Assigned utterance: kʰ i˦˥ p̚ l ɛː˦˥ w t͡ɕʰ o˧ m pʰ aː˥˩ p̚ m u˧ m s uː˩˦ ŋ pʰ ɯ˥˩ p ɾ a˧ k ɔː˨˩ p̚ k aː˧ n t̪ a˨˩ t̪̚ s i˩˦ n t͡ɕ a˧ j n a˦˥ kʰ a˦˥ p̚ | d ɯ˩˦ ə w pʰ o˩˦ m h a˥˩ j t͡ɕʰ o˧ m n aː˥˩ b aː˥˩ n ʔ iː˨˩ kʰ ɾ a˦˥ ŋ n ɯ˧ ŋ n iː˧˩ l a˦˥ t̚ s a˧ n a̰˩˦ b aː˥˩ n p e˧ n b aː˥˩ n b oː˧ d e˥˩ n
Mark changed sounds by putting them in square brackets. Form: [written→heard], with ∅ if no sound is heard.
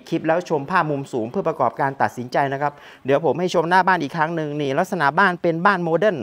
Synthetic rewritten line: kʰ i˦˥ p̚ l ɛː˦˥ w t͡ɕʰ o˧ m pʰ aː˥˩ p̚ m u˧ m s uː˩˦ ŋ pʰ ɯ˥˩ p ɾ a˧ k ɔː˨˩ p̚ k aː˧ n t̪ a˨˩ t̪̚ s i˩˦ n t͡ɕ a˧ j n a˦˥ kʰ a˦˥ p̚ | d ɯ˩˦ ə w pʰ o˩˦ m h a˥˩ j t͡ɕʰ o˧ m n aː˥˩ b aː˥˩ n ʔ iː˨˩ kʰ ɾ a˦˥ ŋ n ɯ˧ ŋ n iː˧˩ l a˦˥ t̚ s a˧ n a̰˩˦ b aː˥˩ n p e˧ n b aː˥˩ n [b→m] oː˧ d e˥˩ n